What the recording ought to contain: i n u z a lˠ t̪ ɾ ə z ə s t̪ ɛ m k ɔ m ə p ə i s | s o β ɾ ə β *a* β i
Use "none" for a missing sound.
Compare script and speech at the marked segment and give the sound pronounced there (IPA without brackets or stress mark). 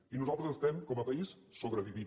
i